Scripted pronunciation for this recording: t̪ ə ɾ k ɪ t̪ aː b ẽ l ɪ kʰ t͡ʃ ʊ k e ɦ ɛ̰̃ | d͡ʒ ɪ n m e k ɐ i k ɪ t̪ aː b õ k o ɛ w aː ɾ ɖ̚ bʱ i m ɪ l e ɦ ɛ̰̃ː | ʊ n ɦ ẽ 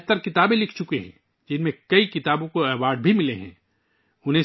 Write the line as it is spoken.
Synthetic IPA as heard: t̪ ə ɾ k ɪ t̪ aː b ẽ l ɪ kʰ t͡ʃ ʊ k e ɦ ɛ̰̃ | d͡ʒ ɪ n m ẽ k ɐ i k ɪ t̪ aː b õ k o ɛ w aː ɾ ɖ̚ bʱ i m ɪ l e ɦ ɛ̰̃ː | ʊ n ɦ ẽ